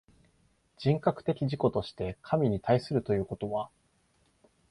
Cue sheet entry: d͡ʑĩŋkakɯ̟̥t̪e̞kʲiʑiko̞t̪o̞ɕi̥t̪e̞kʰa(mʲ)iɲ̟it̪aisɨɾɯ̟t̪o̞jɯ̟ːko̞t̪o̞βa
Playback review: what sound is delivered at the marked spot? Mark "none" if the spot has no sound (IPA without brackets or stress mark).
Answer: mʲ